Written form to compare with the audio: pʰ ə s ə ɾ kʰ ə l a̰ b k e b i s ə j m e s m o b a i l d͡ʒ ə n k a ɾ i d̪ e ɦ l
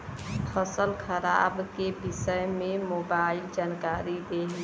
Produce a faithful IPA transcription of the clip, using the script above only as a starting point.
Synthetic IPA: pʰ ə s ə l kʰ ə ɾ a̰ b k e b i s ə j m e m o b a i l d͡ʒ a n k a ɾ i d̪ e ɦ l